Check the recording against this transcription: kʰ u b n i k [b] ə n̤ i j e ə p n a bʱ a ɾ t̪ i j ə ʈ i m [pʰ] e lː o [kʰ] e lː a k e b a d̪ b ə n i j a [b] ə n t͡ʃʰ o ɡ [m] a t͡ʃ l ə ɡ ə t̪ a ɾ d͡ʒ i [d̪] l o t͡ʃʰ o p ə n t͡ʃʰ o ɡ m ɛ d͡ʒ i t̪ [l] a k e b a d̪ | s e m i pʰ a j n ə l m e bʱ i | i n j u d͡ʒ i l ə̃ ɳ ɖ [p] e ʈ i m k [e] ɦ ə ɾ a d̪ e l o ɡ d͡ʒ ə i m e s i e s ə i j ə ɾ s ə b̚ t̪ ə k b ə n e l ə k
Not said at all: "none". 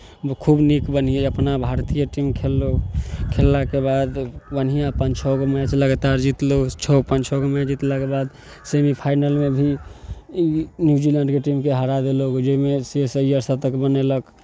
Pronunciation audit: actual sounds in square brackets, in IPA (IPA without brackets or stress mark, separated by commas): b, kʰ, kʰ, p, m, t̪, l, k, e